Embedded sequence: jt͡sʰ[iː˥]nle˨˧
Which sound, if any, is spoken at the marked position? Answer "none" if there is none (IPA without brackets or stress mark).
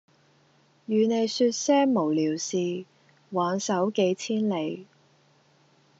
iː˥